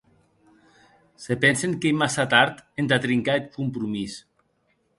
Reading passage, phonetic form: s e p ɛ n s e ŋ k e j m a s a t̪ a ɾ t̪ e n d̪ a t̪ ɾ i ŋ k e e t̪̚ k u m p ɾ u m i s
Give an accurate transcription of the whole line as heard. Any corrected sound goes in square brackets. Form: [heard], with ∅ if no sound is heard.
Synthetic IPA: s e p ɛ n s e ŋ k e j m a s a t̪ a ɾ t̪ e n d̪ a t̪ ɾ i ŋ k [a] e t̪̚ k u m p ɾ u m i s